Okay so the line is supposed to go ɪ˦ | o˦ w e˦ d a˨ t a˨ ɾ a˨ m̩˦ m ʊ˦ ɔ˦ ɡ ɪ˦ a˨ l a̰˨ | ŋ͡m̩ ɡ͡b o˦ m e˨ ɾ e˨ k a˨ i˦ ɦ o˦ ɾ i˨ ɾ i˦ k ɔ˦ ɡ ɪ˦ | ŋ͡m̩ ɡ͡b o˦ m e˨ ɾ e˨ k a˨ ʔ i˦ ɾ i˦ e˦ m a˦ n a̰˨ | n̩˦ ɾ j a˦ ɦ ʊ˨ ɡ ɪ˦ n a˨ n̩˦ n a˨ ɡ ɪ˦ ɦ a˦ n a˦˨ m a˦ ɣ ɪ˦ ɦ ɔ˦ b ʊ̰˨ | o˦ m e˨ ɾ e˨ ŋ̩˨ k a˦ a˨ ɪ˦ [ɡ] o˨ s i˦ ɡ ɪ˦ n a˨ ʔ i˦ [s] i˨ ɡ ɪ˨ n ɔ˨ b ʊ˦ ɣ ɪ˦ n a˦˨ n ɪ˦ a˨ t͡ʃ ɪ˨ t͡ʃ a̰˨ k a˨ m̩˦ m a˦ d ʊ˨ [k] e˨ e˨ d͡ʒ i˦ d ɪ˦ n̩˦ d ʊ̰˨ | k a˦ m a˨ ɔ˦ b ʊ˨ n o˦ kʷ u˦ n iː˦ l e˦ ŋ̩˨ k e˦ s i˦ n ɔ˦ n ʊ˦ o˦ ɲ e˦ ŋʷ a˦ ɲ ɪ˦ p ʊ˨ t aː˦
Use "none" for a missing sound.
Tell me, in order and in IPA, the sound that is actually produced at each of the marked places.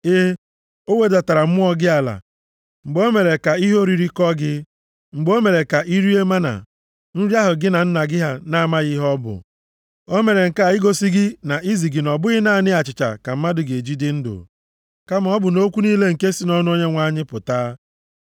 ɡ, z, ɡ

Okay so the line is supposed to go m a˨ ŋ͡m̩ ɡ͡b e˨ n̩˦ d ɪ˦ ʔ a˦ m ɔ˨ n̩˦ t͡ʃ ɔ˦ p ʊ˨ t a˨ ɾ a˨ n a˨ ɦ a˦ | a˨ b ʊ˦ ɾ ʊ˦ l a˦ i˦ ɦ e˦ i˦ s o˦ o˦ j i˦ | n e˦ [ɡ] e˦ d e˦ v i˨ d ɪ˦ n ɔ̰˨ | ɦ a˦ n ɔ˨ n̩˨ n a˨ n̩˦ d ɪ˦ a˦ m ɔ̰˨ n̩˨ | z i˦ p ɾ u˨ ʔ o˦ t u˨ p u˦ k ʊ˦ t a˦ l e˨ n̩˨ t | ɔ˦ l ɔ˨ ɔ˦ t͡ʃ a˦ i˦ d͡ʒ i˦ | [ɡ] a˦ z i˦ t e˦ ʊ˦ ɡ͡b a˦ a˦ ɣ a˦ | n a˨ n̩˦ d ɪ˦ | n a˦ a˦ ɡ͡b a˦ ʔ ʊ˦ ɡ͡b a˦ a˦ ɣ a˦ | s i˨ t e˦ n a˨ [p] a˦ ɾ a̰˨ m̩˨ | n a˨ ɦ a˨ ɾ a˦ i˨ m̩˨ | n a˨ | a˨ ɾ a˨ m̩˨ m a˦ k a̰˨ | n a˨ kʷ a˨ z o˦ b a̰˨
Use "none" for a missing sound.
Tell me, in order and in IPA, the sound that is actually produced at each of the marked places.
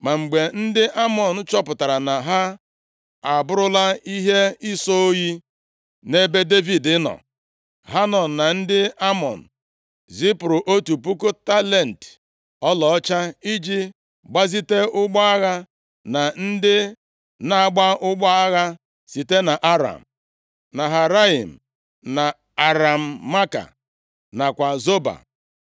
b, ɡ͡b, ʔ

